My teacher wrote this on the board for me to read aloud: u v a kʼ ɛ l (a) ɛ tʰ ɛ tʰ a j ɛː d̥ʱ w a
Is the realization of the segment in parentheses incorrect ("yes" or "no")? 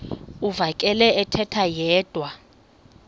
yes